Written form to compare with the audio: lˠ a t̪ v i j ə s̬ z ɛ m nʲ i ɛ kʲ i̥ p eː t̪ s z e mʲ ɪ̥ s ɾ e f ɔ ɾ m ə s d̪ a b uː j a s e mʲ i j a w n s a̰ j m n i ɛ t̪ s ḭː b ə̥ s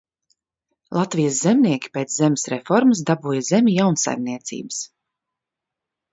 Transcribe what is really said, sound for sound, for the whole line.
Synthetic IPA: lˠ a t̪ v i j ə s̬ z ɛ m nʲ i ɛ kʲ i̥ p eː t̪ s z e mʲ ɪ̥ s ɾ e f ɔ ɾ m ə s d̪ a b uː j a z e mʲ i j a w n s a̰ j m n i ɛ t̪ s ḭː b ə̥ s